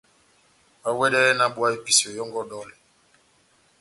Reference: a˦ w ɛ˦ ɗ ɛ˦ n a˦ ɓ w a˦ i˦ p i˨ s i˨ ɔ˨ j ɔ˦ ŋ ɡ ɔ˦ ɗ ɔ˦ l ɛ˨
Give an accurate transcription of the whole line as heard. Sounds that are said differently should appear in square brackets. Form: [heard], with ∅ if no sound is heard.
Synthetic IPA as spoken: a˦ w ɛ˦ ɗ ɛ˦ n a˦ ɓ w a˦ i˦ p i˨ s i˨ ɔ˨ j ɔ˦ ŋ ɡ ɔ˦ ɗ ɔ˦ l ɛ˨